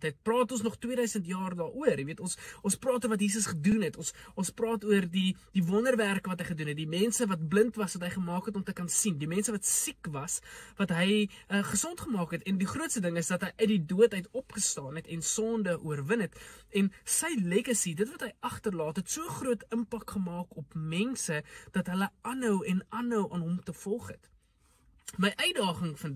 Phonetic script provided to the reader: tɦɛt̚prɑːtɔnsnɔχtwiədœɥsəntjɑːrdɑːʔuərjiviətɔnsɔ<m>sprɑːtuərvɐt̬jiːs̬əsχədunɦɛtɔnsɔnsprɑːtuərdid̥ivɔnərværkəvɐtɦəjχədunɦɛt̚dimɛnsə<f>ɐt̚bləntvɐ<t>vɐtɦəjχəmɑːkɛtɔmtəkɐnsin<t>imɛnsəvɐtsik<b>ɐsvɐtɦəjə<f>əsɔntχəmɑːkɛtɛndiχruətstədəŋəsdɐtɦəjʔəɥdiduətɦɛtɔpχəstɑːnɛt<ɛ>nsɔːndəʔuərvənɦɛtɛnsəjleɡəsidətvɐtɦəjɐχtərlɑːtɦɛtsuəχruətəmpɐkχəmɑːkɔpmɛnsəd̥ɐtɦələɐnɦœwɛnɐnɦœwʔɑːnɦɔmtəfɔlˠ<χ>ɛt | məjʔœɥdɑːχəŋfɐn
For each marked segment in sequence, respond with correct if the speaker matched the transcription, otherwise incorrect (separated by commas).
incorrect, incorrect, incorrect, incorrect, incorrect, incorrect, correct, correct